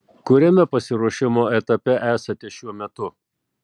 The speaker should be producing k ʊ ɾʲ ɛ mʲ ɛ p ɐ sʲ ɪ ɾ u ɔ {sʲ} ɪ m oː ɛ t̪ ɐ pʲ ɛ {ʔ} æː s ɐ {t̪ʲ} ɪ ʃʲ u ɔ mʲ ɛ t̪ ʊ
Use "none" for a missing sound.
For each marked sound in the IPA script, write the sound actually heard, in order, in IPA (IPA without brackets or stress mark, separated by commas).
ʃʲ, ʔ, t̪ʲ